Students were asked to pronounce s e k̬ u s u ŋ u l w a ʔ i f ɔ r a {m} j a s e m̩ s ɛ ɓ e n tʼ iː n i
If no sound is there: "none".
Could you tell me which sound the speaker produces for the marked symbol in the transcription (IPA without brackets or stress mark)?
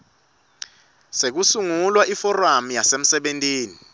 m